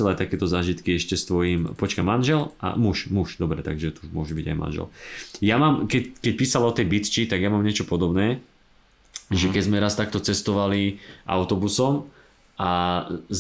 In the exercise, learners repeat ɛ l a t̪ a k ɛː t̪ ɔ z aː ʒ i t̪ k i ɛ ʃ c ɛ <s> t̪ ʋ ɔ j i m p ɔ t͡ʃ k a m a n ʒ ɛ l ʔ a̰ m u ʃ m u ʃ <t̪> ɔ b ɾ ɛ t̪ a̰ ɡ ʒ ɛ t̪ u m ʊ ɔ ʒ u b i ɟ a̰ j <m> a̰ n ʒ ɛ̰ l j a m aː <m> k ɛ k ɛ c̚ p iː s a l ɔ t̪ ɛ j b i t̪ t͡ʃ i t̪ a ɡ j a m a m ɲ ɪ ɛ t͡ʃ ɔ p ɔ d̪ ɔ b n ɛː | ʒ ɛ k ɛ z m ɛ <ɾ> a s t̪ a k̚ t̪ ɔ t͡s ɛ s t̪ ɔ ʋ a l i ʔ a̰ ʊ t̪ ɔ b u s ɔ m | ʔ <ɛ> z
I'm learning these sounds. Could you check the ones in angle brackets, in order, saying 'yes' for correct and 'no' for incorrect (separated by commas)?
yes, no, yes, yes, yes, no